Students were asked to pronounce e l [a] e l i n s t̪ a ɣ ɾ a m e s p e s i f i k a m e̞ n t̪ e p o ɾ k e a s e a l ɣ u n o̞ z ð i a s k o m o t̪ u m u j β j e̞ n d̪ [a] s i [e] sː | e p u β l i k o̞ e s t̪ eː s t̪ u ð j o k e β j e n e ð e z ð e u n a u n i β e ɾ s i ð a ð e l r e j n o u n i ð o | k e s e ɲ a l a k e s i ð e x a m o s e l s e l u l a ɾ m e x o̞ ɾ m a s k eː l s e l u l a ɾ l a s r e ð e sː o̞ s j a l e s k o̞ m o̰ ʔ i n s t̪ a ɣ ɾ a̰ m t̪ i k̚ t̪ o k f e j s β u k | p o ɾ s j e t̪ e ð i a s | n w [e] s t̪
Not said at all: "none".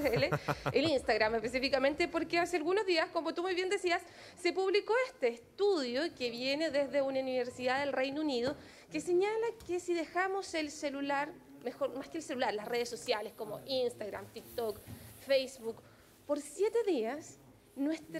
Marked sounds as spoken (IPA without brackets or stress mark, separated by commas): e, e, a, e